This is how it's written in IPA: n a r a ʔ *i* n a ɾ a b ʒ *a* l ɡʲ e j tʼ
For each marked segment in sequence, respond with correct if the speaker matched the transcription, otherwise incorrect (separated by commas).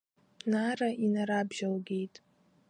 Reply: correct, correct